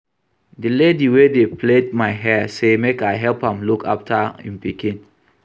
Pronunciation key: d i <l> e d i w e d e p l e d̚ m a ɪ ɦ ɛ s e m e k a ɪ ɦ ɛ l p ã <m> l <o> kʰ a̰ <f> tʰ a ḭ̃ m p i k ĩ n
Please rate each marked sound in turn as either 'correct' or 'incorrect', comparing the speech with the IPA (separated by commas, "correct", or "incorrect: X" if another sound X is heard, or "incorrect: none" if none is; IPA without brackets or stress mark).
correct, correct, incorrect: u, correct